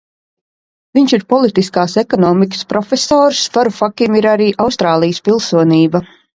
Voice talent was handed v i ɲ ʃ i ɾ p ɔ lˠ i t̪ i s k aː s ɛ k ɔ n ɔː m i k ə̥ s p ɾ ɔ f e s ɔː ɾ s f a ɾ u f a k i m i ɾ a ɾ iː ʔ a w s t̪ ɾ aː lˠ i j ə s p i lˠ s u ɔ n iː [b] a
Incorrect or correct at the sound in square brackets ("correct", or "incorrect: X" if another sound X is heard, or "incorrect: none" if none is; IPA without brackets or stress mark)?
correct